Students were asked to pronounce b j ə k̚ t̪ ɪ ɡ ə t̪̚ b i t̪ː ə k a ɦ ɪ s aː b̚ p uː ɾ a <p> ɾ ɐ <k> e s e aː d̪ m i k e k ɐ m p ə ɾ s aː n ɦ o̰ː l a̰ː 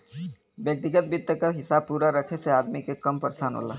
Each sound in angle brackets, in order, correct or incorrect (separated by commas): incorrect, incorrect